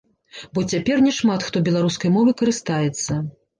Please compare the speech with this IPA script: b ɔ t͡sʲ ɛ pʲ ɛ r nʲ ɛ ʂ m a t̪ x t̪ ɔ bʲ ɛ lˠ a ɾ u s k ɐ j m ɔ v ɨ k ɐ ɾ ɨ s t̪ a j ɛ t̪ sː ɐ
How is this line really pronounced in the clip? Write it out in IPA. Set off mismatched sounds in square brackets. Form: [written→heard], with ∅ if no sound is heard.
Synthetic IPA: b ɔ t͡sʲ [ɛ→a] pʲ ɛ r nʲ ɛ ʂ m a t̪ x t̪ ɔ bʲ ɛ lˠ a ɾ u s k ɐ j m ɔ v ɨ k ɐ ɾ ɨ s t̪ a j ɛ t̪ sː ɐ